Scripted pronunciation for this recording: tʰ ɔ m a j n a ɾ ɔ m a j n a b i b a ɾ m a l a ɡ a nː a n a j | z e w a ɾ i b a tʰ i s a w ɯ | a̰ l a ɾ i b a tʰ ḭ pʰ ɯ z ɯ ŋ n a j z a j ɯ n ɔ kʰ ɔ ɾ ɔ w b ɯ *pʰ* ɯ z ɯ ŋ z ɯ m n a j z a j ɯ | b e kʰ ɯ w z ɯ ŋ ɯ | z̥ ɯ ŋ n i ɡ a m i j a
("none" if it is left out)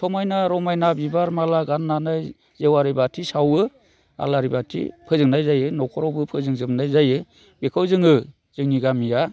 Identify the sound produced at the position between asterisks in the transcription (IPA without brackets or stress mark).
pʰ